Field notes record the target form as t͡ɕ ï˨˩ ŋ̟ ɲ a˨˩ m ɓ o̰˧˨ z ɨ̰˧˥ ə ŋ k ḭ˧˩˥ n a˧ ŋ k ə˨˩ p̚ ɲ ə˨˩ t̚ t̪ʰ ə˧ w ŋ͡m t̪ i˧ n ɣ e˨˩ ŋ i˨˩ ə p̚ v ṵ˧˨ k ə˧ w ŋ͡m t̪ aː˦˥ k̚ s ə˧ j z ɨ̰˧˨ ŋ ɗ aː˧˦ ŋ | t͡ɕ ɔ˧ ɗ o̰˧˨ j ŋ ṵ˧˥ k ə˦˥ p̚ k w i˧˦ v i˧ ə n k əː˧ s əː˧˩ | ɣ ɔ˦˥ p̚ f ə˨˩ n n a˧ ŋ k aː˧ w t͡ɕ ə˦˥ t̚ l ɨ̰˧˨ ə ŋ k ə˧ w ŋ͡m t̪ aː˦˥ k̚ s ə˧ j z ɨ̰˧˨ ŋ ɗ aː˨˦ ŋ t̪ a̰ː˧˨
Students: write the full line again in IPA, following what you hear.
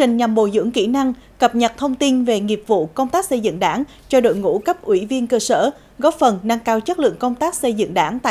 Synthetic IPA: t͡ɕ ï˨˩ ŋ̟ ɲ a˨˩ m ɓ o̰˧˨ z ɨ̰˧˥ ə ŋ k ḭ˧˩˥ n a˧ ŋ k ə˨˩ p̚ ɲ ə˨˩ t̚ t̪ʰ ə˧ w ŋ͡m t̪ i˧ n v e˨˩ ŋ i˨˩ ə p̚ v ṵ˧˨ k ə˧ w ŋ͡m t̪ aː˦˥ k̚ s ə˧ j z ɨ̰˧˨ ŋ ɗ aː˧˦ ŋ | t͡ɕ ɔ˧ ɗ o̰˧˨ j ŋ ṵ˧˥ k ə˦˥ p̚ ʔ w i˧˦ v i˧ ə n k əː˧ s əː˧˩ | ɣ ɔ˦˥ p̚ f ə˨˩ n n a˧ ŋ k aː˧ w t͡ɕ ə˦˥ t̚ l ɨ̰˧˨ ə ŋ k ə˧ w ŋ͡m t̪ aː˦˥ k̚ s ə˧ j z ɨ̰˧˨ ŋ ɗ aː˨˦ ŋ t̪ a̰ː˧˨

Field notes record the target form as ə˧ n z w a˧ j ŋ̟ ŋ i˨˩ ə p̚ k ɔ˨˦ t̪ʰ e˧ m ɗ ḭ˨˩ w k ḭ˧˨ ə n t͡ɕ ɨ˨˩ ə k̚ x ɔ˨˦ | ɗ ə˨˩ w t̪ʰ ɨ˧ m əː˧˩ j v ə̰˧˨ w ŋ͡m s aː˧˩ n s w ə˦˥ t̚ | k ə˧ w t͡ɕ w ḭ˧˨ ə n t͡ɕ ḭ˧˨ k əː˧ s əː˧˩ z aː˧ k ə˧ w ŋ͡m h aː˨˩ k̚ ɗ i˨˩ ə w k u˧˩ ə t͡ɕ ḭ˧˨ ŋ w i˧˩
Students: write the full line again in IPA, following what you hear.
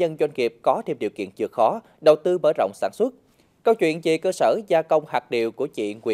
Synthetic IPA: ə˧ n z w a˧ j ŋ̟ ŋ i˨˩ ə p̚ k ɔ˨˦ t̪ʰ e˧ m ɗ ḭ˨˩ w k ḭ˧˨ ə n t͡ɕ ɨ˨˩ ə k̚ x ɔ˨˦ | ɗ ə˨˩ w t̪ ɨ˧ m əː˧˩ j z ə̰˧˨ w ŋ͡m s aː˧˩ n s w ə˦˥ t̚ | k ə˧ w t͡ɕ w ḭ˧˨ ə n t͡ɕ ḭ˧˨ k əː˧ s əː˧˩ z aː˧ k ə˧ w ŋ͡m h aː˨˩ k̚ ɗ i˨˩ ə w k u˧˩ ə t͡ɕ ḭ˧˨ ŋ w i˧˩

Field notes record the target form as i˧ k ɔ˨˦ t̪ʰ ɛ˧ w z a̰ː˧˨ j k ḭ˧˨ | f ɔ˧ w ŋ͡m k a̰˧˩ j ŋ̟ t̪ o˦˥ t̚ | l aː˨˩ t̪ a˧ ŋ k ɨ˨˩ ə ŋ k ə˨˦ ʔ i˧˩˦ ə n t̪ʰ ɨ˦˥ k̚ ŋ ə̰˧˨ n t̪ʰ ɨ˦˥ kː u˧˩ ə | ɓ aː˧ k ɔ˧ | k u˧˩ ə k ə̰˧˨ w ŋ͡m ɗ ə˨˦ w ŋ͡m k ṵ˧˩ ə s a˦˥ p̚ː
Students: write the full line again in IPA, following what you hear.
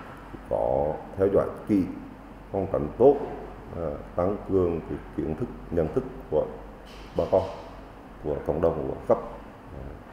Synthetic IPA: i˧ k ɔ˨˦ t̪ʰ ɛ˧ w z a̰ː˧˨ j k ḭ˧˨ | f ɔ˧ w ŋ͡m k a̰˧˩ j ŋ̟ t̪ o˦˥ t̚ | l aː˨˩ t̪ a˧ ŋ k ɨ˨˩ ə ŋ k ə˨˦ k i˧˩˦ ə n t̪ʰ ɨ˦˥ k̚ ɲ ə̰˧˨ n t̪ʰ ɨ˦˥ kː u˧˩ ə | ɓ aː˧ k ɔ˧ | k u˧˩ ə k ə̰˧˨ w ŋ͡m ɗ ə˨˩ w ŋ͡m k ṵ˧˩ ə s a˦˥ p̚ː

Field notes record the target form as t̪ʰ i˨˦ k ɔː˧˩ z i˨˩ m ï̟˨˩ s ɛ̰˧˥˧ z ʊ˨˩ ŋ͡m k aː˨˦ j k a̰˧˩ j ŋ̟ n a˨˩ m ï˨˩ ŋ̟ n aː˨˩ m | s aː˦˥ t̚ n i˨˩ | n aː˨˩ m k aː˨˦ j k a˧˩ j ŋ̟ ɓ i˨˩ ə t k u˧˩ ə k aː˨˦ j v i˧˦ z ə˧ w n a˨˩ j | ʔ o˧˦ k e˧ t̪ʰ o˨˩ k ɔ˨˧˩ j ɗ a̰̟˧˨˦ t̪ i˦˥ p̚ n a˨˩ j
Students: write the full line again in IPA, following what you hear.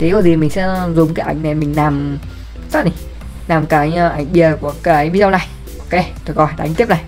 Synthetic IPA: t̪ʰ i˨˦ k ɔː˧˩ z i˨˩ m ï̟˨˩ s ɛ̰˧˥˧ z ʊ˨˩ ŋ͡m k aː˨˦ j ʔ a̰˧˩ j ŋ̟ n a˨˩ m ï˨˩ ŋ̟ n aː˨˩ m | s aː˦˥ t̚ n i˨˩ | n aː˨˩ m k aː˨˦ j ʔ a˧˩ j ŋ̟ ɓ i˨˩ ə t k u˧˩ ə k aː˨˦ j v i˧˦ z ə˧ w n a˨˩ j | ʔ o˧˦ k e˧ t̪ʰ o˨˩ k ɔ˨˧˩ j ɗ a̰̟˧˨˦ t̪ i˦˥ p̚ n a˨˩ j

